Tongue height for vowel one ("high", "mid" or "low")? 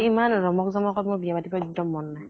high